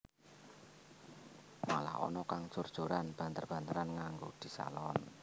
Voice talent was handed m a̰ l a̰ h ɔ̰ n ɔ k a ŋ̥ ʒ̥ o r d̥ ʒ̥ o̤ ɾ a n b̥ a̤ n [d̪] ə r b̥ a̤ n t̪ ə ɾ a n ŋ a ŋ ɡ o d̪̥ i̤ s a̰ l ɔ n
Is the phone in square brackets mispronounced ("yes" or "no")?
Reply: yes